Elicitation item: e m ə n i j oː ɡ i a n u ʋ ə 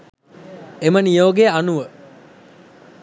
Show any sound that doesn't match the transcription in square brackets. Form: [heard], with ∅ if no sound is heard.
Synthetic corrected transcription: e m ə n i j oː ɡ [e] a n u ʋ ə